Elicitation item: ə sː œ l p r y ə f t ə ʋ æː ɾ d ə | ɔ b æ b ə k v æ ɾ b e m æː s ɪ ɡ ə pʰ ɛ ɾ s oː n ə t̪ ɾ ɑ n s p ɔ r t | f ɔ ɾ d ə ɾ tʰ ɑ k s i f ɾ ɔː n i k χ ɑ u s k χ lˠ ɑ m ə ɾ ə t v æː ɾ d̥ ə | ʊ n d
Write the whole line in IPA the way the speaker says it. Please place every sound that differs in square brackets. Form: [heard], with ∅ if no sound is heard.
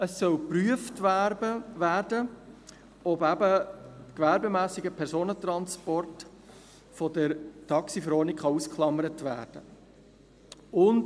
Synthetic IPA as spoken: ə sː œ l p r y ə f t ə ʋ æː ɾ d ə | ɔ b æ b ə k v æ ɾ b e m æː s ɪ ɡ ə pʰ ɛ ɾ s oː n ə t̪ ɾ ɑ n s p ɔ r t | f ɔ [∅] d ə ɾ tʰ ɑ k s i f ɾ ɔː n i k χ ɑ u s k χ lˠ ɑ m ə ɾ ə t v æː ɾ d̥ ə | ʊ n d